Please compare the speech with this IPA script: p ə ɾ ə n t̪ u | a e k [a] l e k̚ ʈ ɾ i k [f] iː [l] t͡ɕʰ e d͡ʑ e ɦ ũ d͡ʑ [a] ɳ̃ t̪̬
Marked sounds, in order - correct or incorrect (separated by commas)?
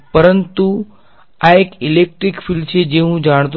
incorrect, correct, correct, correct